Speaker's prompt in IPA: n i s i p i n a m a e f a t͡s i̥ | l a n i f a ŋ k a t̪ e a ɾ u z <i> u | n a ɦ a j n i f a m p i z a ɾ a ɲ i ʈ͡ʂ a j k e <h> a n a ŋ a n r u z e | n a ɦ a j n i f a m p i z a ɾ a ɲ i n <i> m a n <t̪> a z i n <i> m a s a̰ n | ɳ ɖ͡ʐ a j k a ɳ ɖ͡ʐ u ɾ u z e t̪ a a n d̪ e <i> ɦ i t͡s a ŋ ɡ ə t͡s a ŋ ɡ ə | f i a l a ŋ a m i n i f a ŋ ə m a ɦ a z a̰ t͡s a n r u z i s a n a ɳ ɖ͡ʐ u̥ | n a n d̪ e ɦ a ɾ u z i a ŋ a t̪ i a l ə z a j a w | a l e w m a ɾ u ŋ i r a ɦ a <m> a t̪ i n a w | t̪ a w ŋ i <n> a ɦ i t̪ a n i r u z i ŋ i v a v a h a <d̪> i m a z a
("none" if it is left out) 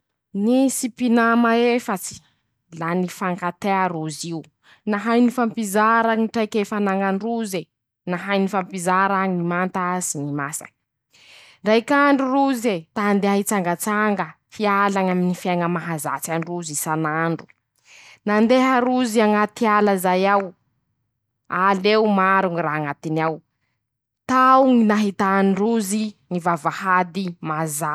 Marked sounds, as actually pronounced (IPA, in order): i, f, i, t̪, i, a, ŋ, n, d̪

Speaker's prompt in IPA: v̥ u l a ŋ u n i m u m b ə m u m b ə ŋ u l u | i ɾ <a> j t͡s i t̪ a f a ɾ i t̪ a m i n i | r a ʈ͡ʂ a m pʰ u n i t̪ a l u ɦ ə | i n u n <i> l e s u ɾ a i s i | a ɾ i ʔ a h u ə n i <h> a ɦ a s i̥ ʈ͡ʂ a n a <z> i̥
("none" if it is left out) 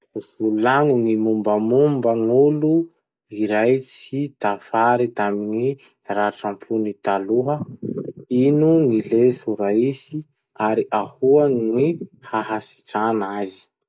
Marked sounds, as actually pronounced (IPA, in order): a, i, h, z

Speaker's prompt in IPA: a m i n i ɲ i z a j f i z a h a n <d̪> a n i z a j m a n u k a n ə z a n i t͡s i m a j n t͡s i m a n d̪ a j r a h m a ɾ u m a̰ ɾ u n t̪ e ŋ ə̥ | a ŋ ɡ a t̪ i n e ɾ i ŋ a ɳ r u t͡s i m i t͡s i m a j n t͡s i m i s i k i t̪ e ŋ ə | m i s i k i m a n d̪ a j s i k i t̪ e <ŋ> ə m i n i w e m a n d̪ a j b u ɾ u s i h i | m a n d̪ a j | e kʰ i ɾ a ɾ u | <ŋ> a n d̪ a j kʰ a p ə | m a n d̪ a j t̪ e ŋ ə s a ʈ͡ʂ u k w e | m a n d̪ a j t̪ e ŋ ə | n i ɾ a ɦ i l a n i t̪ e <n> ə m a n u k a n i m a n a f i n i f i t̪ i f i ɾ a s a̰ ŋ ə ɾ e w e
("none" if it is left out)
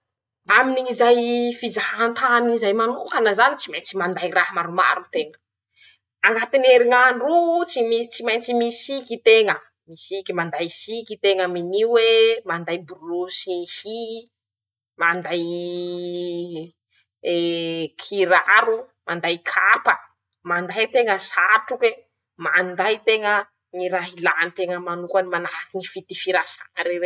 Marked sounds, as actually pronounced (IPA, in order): t̪, ŋ, m, ŋ

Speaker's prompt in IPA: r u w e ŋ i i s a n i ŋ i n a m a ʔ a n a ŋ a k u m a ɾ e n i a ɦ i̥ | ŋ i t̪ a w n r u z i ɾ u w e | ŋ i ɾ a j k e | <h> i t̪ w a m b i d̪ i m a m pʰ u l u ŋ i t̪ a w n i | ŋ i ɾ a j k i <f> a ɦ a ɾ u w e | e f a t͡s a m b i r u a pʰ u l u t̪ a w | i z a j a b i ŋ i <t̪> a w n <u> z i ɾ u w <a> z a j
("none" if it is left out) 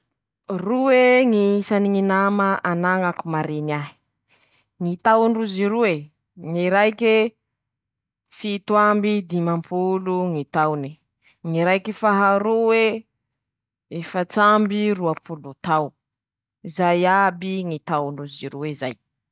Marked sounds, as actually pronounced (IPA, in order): f, f, t̪, u, e

